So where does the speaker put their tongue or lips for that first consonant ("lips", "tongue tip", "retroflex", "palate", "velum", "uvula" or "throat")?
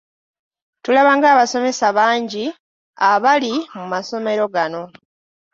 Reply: tongue tip